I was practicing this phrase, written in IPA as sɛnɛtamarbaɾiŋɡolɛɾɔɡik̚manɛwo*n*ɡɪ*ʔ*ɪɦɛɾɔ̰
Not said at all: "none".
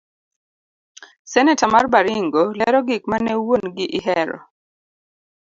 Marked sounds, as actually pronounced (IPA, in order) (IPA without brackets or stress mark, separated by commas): n, ʔ